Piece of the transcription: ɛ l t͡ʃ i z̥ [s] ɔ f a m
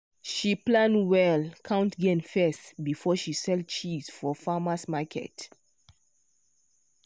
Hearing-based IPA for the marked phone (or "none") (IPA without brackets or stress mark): f